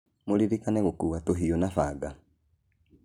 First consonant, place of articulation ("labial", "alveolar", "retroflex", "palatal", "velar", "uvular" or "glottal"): labial